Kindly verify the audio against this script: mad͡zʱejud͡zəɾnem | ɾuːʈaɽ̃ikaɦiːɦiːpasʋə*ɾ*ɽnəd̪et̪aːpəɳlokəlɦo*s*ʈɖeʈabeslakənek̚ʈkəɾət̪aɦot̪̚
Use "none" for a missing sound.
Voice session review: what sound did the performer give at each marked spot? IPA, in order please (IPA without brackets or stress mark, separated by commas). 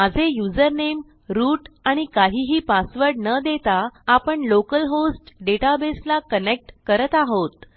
ɾ, s